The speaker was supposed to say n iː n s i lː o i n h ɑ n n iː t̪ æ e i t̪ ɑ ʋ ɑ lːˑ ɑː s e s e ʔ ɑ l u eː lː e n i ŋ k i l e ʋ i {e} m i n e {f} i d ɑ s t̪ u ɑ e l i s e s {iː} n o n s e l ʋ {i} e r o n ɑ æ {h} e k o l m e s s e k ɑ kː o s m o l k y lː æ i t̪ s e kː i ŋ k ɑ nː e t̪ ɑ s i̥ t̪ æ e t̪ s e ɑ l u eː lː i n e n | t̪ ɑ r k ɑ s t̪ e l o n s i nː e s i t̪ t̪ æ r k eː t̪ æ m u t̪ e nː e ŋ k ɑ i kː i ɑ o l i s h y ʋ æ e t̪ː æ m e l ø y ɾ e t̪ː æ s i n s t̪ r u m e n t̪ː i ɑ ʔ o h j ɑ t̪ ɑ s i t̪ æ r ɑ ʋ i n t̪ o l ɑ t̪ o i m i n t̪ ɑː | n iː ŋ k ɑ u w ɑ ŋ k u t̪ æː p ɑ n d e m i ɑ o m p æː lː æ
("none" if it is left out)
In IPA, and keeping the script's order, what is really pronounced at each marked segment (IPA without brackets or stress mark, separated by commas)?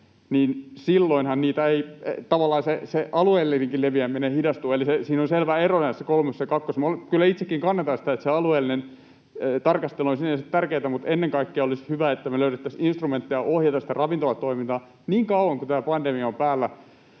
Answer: æ, h, iː, æ, s